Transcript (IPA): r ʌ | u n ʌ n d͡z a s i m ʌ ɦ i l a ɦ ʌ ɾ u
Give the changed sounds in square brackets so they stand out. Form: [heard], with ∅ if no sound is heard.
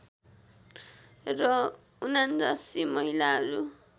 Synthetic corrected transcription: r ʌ | u n [a] n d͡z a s i m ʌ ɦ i l a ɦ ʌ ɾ u